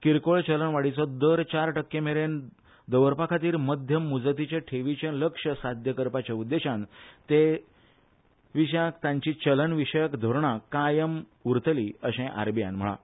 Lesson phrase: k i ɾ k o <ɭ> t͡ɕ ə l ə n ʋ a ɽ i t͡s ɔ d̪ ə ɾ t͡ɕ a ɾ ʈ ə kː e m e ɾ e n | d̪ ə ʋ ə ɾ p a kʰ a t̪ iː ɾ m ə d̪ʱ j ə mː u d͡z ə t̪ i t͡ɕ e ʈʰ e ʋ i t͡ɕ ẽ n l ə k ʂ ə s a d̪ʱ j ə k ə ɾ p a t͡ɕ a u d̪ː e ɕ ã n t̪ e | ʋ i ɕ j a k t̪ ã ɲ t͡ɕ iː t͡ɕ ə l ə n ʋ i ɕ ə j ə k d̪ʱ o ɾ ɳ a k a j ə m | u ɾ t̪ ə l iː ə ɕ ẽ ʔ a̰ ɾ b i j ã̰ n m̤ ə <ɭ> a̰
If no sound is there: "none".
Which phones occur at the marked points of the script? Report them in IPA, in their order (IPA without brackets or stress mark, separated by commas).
ɭ, ɭ